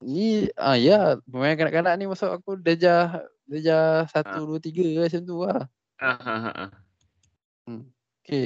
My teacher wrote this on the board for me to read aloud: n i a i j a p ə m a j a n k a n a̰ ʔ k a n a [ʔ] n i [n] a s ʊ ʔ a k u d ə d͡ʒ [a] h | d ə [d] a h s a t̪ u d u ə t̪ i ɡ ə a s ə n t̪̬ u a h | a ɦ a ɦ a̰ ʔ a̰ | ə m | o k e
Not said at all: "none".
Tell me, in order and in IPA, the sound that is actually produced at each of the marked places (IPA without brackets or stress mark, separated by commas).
ʔ, m, a, d͡ʒ